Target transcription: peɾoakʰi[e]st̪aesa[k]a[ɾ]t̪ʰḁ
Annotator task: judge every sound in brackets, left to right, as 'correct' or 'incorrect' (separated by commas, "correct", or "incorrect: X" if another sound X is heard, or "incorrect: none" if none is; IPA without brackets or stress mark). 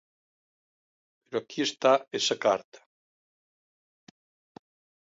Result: correct, correct, correct